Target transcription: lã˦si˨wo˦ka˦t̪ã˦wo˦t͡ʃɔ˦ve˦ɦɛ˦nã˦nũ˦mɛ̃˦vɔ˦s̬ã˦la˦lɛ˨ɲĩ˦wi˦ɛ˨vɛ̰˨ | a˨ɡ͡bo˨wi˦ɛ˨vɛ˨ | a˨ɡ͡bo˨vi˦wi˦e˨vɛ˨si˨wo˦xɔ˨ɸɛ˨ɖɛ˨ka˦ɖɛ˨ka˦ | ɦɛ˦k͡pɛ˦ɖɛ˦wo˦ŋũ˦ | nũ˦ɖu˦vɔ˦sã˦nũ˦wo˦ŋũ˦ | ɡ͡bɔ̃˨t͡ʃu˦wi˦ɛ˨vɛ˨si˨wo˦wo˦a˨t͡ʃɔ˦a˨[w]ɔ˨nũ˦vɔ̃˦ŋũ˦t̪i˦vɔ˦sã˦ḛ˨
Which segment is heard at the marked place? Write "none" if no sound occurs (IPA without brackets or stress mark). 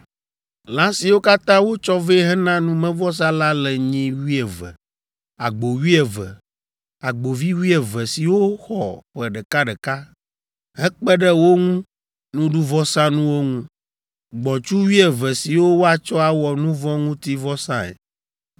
w